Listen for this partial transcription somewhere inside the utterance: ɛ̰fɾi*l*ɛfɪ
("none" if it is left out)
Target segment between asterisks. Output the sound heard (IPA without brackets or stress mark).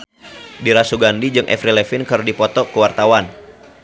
l